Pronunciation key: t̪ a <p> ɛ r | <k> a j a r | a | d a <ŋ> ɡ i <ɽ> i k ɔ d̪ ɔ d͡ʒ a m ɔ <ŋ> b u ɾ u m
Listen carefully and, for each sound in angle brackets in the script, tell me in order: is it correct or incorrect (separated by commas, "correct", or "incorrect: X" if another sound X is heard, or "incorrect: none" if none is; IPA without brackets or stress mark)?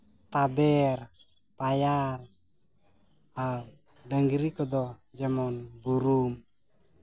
incorrect: b, incorrect: p, correct, incorrect: ɾ, incorrect: n